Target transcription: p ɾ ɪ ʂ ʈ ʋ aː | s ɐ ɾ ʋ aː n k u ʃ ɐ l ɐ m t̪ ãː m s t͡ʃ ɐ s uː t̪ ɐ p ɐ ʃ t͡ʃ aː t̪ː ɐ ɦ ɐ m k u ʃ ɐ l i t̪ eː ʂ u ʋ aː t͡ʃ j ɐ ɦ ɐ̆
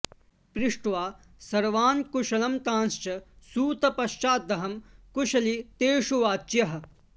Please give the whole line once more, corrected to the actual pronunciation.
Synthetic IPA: p ɾ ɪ ʂ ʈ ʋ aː | s ɐ ɾ ʋ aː n k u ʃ ɐ l ɐ m t̪ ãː n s t͡ʃ ɐ s uː t̪ ɐ p ɐ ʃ t͡ʃ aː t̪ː ɐ ɦ ɐ m k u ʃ ɐ l i t̪ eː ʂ u ʋ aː t͡ʃ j ɐ ɦ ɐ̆

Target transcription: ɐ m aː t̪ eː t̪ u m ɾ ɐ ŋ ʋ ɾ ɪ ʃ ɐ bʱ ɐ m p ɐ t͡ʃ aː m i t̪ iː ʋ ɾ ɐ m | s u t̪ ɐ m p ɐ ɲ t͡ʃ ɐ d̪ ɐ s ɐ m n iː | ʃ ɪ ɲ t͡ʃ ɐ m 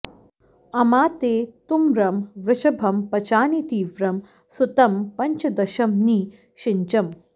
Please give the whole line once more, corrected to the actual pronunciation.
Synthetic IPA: ɐ m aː t̪ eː t̪ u m ɾ ɐ m ʋ ɾ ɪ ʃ ɐ bʱ ɐ m p ɐ t͡ʃ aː n i t̪ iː ʋ ɾ ɐ m | s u t̪ ɐ m p ɐ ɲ t͡ʃ ɐ d̪ ɐ ʃ ɐ m n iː | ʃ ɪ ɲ t͡ʃ ɐ m

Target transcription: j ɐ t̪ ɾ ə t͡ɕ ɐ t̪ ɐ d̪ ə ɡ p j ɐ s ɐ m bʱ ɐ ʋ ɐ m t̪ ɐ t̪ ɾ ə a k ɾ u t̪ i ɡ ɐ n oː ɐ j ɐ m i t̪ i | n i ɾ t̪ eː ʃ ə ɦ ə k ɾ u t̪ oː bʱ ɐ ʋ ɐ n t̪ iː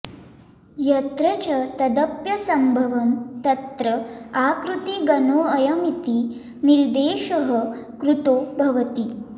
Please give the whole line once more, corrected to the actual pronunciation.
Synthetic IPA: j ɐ t̪ ɾ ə t͡ɕ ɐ t̪ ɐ d̪ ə p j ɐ s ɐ m bʱ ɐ ʋ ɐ m t̪ ɐ t̪ ɾ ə a k ɾ u t̪ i ɡ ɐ n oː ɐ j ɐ m i t̪ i | n i ɾ d̪ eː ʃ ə ɦ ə k ɾ u t̪ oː bʱ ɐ ʋ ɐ t̪ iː

